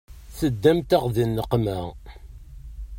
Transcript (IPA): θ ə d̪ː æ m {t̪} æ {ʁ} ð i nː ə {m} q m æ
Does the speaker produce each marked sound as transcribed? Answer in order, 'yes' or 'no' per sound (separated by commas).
yes, yes, no